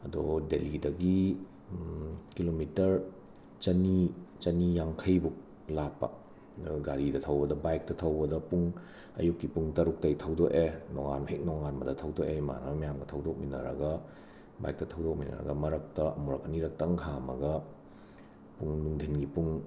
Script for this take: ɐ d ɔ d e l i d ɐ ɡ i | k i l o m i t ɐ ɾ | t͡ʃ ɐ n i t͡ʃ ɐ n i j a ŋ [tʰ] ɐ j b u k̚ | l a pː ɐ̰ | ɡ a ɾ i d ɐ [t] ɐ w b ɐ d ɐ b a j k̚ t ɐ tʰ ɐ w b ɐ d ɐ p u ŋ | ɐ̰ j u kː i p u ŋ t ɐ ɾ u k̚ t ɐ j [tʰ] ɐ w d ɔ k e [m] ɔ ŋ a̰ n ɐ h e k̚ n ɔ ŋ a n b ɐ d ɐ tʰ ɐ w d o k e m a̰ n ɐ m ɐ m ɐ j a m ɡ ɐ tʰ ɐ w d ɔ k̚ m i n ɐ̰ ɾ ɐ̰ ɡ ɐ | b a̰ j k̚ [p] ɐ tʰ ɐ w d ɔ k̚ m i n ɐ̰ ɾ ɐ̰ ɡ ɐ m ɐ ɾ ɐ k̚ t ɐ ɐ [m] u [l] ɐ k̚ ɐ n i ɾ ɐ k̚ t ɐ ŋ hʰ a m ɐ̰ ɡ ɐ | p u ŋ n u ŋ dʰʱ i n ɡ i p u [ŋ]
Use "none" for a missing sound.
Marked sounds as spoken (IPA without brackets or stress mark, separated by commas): kʰ, tʰ, tʰ, n, t, m, ɾ, ŋ